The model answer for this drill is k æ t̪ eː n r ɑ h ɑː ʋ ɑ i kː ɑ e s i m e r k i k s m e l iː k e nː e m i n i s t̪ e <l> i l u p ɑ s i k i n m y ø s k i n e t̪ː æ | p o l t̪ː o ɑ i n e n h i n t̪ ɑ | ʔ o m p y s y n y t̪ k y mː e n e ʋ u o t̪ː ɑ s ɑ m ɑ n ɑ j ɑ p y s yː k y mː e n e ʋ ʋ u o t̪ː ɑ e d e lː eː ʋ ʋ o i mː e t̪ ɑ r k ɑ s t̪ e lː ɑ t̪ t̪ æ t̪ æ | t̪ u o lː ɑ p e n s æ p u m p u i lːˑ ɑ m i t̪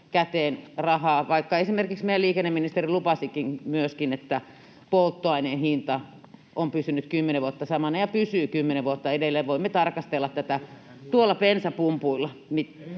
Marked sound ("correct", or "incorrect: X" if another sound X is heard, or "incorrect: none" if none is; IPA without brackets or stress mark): incorrect: r